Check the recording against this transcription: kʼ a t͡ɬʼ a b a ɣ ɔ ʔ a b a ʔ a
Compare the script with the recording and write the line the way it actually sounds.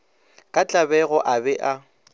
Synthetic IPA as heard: kʼ a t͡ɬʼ a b ɛ ɣ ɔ ʔ a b ɛ ʔ a